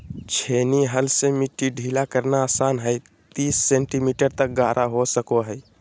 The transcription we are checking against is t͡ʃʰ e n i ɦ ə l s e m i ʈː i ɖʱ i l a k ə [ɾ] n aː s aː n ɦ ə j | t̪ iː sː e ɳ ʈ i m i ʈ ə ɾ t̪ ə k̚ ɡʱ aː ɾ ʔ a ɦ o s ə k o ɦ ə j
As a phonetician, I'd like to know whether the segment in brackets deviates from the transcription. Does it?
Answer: no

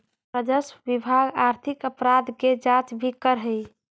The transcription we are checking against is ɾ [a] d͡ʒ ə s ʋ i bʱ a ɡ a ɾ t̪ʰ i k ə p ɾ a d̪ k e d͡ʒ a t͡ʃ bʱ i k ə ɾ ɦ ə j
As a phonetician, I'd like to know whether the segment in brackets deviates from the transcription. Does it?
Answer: yes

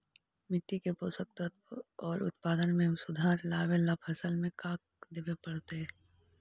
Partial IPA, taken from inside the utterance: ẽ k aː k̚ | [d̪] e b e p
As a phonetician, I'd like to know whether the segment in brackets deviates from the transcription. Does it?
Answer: no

